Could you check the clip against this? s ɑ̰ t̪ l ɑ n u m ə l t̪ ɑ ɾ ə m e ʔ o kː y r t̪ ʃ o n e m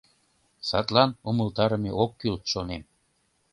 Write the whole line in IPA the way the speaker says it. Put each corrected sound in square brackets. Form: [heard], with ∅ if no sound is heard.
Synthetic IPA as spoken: s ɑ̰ t̪ l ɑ n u m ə l t̪ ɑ ɾ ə m e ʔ o kː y [l] t̪ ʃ o n e m